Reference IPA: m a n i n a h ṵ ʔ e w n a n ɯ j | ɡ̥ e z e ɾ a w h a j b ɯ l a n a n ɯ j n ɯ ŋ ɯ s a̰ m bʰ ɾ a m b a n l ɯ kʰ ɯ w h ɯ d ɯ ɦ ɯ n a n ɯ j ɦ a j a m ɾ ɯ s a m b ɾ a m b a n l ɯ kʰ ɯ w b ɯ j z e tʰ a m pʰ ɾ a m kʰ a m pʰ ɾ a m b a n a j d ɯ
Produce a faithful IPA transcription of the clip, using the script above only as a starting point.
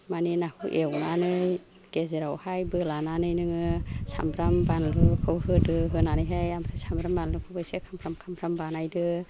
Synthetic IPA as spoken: m a n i n a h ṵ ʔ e w n a n ɯ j | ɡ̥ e z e ɾ a w h a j b ɯ l a n a n ɯ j n ɯ ŋ ɯ s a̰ m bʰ ɾ a m b a n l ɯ kʰ ɯ w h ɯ d ɯ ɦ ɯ n a n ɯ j ɦ a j a m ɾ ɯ s a m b ɾ a m b a n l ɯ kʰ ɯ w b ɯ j s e kʰ a m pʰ ɾ a m kʰ a m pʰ ɾ a m b a n a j d ɯ